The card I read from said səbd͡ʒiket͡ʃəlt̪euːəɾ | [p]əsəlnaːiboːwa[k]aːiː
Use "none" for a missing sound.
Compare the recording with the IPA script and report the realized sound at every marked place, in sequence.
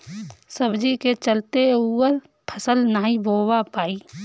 pʰ, p

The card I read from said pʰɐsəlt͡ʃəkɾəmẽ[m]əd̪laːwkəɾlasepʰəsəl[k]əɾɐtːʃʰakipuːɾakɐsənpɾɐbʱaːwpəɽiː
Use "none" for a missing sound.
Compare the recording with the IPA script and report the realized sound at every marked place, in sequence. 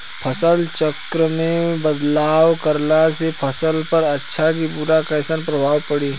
b, p

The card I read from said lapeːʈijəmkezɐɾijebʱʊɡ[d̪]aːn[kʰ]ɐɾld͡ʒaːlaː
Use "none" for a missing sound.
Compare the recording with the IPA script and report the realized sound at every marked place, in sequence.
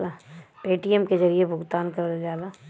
t̪, k

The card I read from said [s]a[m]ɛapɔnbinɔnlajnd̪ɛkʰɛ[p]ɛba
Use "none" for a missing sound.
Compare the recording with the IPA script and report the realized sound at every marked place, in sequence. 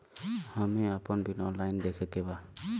h, m, k

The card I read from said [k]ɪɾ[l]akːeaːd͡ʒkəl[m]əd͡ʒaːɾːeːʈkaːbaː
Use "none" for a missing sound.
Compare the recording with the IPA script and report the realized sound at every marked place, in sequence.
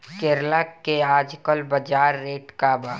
k, l, b

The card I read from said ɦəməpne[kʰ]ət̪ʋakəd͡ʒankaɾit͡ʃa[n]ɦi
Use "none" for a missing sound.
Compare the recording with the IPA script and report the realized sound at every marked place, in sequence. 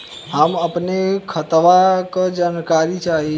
kʰ, none

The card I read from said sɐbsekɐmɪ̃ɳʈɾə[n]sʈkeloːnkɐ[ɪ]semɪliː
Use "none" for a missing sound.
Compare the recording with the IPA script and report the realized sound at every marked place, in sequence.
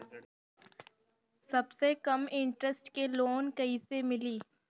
none, i

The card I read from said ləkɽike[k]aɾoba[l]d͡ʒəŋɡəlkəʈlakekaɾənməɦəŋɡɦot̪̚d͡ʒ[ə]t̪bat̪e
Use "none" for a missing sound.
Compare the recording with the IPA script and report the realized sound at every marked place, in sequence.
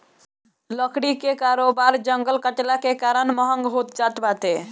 k, ɾ, a

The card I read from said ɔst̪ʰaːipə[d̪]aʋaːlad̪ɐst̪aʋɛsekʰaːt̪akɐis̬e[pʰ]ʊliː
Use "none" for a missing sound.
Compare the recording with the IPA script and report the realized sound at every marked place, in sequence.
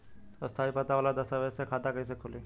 t̪, kʰ

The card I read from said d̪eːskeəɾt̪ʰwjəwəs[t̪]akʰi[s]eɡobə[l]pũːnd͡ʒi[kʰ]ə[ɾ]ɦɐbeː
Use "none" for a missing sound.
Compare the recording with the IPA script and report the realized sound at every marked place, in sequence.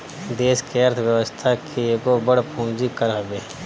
t̪ʰ, none, ɽ, k, ɾ

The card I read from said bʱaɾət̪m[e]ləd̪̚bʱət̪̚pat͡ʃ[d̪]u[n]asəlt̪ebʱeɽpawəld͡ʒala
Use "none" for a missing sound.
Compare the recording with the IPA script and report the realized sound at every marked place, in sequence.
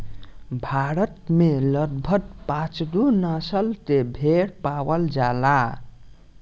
e, d̪, n

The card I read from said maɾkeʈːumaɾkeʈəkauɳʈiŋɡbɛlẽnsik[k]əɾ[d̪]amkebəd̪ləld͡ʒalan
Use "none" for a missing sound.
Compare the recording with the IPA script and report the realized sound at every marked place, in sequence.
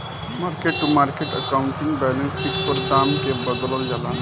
p, d̪

